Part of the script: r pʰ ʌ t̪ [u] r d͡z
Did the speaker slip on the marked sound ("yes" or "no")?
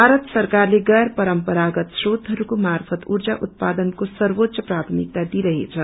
no